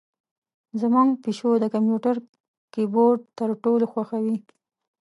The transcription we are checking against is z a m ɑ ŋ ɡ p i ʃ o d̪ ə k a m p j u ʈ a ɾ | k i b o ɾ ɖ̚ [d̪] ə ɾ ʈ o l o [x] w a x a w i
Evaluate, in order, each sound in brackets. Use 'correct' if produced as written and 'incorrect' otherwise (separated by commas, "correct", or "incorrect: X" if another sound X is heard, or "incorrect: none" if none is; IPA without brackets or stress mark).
incorrect: t̪, correct